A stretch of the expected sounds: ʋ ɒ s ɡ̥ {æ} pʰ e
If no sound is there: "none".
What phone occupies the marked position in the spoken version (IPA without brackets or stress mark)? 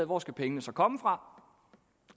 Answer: æ